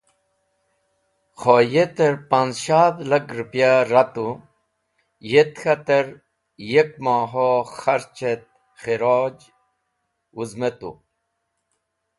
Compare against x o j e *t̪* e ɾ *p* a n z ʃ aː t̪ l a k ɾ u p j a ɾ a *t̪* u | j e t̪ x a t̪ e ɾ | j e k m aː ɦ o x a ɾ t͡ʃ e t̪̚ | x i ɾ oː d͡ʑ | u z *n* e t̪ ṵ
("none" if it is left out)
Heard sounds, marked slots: t̪, p, t̪, m

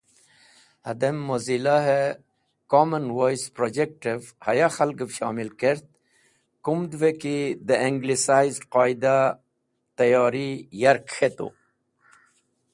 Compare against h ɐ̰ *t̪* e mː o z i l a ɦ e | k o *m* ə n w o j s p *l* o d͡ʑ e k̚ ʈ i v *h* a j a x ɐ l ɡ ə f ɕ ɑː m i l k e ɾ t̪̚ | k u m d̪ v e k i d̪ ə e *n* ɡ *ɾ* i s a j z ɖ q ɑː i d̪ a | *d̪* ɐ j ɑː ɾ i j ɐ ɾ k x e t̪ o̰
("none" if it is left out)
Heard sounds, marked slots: d̪, m, ɾ, h, ŋ, l, t̪

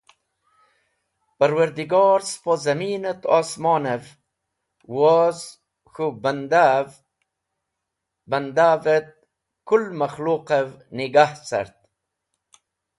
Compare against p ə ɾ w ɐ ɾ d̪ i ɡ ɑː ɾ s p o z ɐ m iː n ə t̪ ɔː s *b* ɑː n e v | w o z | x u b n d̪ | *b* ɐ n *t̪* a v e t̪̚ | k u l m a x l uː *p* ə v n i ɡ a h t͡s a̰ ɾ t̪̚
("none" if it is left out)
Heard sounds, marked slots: m, b, d̪, q

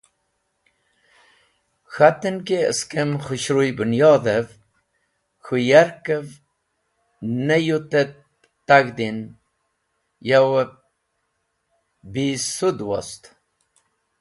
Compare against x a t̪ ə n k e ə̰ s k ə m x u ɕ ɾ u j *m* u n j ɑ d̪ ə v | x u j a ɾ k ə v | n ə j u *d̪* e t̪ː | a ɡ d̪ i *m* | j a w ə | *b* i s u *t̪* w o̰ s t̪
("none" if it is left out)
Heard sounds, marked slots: b, t̪, n, b, d̪

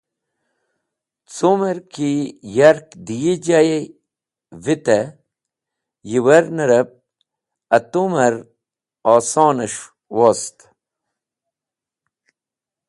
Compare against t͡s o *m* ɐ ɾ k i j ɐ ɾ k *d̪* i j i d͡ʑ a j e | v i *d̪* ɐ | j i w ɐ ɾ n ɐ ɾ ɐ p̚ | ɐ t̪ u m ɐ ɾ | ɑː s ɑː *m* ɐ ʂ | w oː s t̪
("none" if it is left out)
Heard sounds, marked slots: m, d̪, t̪, n

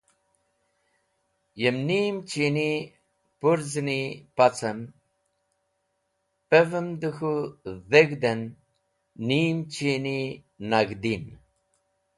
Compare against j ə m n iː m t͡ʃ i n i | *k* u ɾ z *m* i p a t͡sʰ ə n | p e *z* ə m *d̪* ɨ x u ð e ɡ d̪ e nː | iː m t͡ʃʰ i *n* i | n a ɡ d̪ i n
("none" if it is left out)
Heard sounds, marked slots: p, n, v, d̪, n

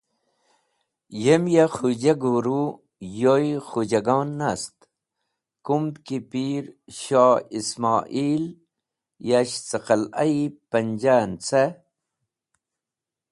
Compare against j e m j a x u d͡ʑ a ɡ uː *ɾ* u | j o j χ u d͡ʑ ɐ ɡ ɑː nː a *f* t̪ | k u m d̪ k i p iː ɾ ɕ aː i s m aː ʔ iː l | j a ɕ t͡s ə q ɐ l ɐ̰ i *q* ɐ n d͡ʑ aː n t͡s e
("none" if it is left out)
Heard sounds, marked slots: ɾ, s, p

